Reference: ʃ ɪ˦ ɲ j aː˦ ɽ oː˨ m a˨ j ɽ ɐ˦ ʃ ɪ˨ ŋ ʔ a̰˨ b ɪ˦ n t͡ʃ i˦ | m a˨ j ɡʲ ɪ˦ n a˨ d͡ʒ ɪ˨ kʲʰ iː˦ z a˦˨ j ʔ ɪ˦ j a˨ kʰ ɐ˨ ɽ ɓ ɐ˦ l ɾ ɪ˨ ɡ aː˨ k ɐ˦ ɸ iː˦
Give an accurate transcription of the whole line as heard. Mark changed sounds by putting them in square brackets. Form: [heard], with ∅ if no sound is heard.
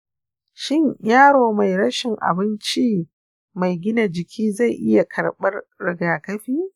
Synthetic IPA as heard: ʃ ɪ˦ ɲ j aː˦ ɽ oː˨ m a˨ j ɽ ɐ˦ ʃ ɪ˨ ŋ ʔ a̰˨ b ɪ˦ n t͡ʃ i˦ | m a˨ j ɡʲ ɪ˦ n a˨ d͡ʒ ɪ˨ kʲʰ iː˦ z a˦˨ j ʔ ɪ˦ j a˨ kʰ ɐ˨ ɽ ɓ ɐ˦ [r] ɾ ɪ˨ ɡ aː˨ k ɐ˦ ɸ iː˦